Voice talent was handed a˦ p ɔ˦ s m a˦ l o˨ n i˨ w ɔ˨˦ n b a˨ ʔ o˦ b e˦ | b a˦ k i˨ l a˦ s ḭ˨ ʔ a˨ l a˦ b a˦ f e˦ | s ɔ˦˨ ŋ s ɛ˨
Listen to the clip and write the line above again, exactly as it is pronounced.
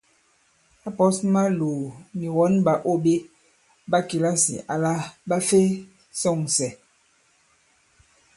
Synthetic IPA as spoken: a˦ p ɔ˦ s m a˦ l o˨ n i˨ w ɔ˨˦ n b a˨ ʔ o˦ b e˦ | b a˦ k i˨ l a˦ s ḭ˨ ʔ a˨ l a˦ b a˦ f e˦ | s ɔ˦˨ ŋ s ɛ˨

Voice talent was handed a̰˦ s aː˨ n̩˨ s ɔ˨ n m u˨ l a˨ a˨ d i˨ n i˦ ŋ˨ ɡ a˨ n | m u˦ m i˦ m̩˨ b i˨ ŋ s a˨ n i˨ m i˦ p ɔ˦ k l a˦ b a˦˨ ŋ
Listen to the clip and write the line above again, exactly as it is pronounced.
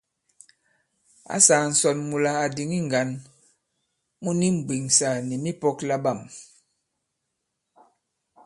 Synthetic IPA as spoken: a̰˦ s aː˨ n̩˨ s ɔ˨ n m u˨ l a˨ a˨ d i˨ ŋ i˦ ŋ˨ ɡ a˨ n | m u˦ n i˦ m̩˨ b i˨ ŋ s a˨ n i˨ m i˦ p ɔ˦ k l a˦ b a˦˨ m

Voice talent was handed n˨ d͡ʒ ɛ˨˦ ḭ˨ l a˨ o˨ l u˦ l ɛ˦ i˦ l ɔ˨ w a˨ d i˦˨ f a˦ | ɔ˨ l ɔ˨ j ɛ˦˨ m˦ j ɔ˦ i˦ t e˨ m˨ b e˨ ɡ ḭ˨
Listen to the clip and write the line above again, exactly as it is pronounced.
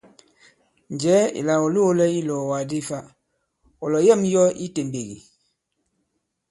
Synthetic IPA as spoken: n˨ d͡ʒ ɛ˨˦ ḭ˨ l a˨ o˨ l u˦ l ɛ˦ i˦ l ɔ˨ w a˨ d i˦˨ f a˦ | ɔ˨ l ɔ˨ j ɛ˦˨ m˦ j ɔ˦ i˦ t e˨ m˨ b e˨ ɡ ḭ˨

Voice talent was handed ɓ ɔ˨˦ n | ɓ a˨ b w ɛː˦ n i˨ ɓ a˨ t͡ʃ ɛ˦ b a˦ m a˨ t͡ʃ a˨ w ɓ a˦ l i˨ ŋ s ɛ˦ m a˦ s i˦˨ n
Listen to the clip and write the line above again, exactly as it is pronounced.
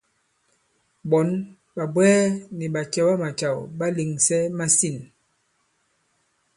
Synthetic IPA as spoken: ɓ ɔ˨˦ n | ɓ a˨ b w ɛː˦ n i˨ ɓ a˨ t͡ʃ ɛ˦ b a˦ m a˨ t͡ʃ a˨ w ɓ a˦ l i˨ ŋ s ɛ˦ m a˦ s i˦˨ n

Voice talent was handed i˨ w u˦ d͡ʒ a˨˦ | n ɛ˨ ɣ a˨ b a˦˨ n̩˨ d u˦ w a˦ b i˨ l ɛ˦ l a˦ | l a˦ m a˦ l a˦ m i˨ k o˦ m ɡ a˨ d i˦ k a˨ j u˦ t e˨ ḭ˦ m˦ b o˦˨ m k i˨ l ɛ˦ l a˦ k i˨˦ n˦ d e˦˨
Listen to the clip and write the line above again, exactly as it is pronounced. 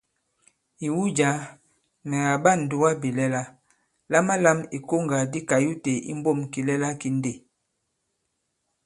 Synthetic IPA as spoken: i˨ w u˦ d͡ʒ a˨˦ | n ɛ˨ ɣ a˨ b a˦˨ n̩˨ d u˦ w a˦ b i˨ l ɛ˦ l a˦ | l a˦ m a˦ l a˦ m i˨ k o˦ ŋ ɡ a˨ d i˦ k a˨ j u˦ t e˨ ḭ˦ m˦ b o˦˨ m k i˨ l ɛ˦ l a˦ k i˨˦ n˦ d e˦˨

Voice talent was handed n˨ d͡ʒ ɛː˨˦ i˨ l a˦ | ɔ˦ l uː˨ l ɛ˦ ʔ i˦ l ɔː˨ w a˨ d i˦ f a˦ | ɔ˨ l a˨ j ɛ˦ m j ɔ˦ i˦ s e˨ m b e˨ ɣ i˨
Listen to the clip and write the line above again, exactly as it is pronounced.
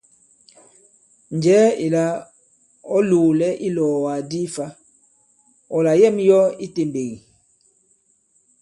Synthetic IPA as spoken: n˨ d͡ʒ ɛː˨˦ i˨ l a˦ | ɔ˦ l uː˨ l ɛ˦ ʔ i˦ l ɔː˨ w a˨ d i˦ f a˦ | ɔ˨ l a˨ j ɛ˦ m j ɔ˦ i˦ t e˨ m b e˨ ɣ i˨

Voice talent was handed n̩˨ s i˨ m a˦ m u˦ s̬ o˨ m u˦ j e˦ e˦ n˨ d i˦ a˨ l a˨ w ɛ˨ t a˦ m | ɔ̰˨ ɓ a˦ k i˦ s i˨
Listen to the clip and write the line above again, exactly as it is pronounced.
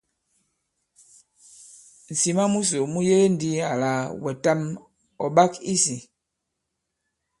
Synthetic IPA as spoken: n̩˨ s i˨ m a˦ m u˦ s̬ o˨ m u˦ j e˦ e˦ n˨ d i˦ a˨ l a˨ w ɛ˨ t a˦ m | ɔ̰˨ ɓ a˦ k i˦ s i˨

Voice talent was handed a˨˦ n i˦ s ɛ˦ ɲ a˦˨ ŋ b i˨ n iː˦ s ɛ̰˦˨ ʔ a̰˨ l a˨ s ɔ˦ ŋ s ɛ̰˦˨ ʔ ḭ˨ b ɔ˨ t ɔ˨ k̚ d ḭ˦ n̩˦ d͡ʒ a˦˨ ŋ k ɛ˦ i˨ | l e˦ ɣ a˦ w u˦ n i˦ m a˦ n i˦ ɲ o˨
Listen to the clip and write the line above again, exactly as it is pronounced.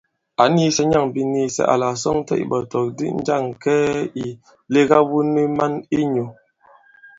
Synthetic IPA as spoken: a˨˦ n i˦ s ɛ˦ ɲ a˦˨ ŋ b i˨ n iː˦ s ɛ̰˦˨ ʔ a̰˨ l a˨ s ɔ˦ ŋ t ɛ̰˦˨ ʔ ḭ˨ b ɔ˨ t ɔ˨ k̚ d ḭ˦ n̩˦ d͡ʒ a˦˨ ŋ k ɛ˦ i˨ | l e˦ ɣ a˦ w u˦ n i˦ m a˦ n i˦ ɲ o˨

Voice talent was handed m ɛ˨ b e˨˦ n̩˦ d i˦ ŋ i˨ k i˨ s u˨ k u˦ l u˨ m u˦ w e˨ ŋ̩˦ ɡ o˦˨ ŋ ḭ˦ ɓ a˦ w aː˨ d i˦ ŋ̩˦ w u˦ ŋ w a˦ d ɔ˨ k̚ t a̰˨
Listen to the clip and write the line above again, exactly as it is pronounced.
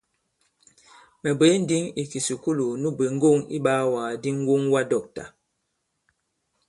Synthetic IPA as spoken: m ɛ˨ b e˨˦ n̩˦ d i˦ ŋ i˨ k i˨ s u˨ k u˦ l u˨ n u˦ b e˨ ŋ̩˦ ɡ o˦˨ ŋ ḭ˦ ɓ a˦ w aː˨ d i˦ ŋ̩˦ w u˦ ŋ w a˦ d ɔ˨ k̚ t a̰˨

